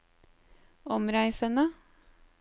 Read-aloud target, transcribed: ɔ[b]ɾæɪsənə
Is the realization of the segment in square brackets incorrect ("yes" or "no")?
yes